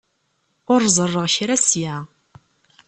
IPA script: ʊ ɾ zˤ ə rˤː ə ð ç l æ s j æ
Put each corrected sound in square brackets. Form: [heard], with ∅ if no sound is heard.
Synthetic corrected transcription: ʊ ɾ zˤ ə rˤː ə [ʁ] ç [ɾ] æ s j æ